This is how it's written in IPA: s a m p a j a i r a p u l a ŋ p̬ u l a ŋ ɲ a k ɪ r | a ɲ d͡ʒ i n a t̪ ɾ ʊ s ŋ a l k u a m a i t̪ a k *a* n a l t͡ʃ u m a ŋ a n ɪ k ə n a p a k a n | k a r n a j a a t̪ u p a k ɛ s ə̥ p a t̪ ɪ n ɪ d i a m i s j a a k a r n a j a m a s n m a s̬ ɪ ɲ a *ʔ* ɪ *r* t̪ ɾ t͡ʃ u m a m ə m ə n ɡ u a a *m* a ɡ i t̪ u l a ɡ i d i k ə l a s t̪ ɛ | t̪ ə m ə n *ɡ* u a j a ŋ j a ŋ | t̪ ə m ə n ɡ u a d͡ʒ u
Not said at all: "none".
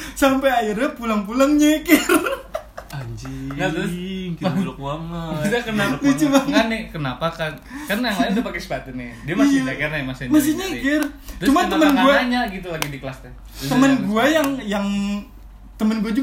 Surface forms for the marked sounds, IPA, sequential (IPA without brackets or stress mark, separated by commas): ə, k, r, ɲ, ɡ